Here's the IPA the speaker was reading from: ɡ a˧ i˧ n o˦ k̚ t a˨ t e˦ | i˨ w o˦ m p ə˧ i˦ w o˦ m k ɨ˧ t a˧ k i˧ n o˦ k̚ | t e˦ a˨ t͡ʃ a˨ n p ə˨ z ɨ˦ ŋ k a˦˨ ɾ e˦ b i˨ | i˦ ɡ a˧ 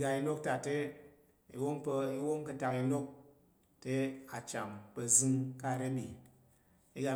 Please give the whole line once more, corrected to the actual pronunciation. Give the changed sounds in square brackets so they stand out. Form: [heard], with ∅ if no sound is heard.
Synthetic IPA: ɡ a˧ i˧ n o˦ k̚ t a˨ t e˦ | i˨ w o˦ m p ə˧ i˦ w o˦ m k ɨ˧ t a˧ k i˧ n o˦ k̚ | t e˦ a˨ t͡ʃ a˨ [m] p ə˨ z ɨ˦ ŋ k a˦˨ ɾ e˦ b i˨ | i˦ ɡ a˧